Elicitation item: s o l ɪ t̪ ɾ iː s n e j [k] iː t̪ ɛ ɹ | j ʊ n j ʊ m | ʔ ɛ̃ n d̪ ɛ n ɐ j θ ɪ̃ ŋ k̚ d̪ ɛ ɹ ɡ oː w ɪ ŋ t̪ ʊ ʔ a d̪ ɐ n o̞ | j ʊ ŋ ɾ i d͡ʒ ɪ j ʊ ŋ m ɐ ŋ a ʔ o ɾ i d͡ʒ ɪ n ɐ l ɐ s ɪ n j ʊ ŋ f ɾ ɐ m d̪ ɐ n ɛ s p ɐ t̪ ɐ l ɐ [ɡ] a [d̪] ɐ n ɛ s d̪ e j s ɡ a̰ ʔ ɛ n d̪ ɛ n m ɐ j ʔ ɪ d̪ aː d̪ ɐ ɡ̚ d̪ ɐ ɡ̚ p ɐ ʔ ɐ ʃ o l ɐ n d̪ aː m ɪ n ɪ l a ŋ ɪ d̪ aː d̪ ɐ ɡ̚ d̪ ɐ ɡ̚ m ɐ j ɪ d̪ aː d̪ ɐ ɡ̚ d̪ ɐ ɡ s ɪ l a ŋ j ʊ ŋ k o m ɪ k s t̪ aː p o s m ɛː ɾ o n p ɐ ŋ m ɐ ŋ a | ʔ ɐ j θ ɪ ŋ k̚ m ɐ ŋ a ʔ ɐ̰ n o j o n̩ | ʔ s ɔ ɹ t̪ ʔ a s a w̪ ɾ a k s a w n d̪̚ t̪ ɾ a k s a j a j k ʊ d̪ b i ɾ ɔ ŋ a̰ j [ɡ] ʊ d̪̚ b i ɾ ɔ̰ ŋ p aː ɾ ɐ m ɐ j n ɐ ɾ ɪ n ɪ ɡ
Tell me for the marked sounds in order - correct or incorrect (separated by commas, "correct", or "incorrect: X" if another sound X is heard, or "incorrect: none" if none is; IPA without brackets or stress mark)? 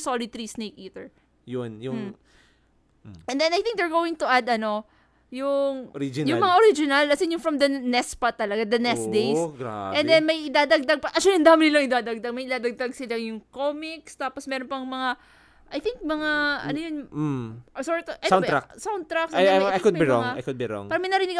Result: correct, correct, correct, incorrect: k